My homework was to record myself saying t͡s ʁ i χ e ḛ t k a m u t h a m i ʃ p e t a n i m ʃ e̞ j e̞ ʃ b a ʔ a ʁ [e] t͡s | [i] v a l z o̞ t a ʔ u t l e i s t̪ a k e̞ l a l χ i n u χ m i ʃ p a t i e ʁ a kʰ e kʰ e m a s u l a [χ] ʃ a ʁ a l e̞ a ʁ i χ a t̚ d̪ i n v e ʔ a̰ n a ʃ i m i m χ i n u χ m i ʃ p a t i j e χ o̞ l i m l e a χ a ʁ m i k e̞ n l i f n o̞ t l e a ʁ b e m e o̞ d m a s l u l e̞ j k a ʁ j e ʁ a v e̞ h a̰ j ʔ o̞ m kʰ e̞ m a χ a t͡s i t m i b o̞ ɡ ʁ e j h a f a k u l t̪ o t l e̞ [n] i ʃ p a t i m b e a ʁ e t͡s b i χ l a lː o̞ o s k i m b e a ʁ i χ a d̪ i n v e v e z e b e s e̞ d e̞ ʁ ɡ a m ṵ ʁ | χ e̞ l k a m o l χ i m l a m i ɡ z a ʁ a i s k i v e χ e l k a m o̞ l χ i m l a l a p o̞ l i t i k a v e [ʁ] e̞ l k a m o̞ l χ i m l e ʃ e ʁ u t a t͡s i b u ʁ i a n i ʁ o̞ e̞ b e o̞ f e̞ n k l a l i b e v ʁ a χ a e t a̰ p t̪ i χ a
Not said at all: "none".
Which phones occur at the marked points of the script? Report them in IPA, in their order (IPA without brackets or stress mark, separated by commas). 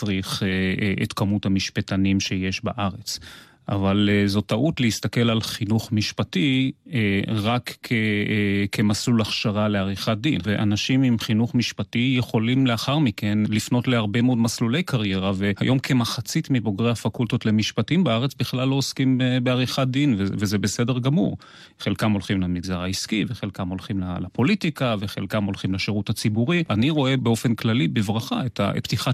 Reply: e, a, χ, m, χ